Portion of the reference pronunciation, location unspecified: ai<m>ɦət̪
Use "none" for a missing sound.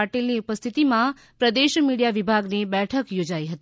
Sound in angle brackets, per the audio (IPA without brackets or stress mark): none